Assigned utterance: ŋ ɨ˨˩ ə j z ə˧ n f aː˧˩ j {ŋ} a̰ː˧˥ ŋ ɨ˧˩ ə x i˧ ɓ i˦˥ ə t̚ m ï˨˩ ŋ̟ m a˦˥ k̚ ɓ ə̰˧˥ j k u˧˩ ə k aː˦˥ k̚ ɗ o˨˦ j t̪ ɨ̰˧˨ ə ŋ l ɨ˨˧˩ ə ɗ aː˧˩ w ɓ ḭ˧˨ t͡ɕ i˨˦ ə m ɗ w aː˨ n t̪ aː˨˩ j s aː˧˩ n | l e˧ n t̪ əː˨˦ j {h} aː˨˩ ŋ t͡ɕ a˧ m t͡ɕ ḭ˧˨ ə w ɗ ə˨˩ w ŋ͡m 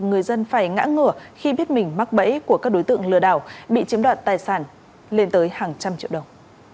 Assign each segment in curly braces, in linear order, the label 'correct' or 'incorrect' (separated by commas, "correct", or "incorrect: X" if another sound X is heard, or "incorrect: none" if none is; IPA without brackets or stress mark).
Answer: correct, correct